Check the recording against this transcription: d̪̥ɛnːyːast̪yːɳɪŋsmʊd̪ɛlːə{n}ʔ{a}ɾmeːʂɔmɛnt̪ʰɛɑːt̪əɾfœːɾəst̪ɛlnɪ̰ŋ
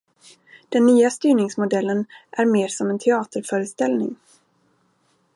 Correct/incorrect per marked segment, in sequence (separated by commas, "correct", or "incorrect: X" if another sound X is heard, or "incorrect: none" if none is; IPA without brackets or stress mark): correct, incorrect: æ